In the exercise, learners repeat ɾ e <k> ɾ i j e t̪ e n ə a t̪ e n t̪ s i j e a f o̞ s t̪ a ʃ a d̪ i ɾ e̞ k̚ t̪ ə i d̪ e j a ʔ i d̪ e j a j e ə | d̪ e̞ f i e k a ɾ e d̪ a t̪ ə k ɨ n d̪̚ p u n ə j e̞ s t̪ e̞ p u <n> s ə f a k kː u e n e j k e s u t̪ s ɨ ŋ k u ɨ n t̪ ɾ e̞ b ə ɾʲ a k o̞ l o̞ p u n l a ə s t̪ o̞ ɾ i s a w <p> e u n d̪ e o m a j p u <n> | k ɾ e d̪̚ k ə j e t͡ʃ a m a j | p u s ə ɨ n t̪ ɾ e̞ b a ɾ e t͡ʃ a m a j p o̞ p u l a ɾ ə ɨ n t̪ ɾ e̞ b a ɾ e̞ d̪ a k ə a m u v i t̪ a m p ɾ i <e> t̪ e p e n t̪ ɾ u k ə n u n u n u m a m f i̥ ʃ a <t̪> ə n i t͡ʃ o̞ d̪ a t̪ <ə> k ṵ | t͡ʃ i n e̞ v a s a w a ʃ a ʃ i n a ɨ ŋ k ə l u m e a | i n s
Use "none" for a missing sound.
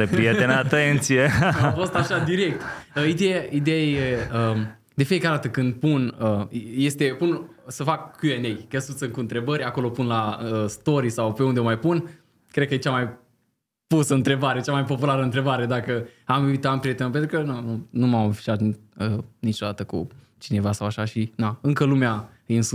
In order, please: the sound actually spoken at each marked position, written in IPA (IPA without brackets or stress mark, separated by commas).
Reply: p, n, p, n, e, t̪, ə